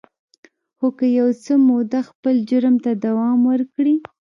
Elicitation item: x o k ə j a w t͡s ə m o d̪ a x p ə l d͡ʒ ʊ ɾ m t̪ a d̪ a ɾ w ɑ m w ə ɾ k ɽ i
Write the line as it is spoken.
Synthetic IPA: x o k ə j a w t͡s ə m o d̪ a x p ə l d͡ʒ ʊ ɾ m t̪ a d̪ a w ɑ m w ə ɾ k ɽ i